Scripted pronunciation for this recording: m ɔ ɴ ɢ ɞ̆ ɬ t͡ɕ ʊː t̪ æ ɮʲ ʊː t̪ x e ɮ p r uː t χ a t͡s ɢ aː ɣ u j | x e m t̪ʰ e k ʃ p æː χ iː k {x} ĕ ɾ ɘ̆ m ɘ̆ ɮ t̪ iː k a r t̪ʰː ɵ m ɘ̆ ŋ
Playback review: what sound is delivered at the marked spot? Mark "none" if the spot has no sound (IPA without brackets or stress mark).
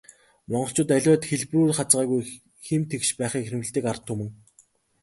x